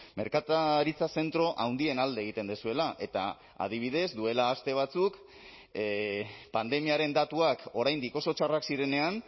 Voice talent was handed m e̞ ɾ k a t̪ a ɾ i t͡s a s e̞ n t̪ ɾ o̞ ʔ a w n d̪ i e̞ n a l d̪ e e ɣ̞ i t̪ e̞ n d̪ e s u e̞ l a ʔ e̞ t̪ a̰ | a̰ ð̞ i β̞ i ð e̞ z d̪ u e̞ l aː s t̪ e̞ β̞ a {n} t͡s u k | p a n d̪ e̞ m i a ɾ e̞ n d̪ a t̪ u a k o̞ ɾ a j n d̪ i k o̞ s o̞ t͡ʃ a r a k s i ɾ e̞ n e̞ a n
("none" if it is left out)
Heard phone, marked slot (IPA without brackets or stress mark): none